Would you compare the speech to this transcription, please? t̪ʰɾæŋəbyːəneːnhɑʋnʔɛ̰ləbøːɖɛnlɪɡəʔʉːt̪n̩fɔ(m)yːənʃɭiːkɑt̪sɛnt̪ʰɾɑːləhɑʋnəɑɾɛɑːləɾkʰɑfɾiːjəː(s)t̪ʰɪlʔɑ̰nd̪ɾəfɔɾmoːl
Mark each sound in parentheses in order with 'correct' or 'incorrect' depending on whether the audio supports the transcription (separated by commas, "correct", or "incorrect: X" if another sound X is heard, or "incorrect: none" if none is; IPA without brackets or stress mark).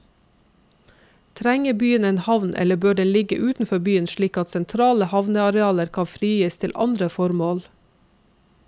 incorrect: b, correct